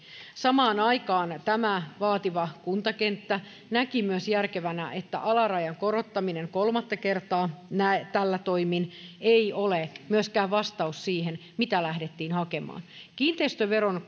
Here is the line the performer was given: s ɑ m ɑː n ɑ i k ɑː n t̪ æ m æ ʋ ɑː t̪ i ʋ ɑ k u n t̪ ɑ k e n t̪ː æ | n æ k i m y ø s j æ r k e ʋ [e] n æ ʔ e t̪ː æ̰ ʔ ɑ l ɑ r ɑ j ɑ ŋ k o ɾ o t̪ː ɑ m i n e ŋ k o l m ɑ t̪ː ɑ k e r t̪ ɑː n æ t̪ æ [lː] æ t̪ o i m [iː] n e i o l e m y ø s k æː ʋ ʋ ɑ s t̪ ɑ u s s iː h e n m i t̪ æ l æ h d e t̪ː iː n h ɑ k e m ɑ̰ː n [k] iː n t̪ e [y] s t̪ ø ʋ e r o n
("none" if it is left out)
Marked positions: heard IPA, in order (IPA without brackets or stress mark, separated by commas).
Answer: æ, lː, i, k, i